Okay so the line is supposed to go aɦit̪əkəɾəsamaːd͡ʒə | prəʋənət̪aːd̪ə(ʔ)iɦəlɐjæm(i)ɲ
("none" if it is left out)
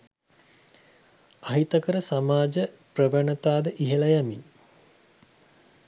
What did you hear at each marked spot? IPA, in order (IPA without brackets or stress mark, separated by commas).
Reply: ʔ, i